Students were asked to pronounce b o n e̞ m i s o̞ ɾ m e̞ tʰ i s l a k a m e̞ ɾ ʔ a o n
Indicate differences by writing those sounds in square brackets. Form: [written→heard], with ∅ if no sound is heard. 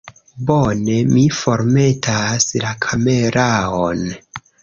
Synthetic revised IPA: b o n e̞ m i [s→f] o̞ ɾ m e̞ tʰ [i→a] s l a [k→kʰ] a m e̞ ɾ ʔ a o n